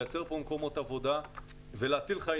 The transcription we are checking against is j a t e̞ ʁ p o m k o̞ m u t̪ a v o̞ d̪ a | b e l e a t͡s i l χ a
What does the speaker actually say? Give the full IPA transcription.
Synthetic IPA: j a t͡s e̞ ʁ p o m k o̞ m o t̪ a v o̞ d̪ a | v e l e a t͡s i l χ a